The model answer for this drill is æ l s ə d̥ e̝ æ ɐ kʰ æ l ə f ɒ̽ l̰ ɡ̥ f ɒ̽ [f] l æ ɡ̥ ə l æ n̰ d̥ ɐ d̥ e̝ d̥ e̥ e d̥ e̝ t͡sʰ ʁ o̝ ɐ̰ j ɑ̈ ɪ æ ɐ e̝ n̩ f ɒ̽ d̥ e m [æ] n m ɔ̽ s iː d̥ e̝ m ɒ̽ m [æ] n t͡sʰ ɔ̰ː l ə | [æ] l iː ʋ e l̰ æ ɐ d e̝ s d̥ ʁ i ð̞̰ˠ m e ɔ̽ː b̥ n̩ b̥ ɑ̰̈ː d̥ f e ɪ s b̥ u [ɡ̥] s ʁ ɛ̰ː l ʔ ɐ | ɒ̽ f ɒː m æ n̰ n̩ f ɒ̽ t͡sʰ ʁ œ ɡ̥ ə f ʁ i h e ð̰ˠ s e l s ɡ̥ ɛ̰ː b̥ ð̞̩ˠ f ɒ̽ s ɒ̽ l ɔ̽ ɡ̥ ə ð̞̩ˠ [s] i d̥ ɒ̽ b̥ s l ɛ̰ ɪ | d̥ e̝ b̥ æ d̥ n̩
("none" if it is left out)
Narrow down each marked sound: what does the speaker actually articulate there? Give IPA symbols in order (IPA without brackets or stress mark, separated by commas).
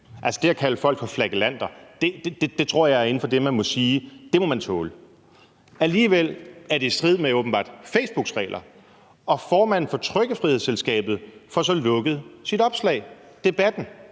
f, æ, æ, æ, ɡ̥, s